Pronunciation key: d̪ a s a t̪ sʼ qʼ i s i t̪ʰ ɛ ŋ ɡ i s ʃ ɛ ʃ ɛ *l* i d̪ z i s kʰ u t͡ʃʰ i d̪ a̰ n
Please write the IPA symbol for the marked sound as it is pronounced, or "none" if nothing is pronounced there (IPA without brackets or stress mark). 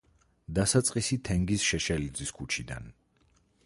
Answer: l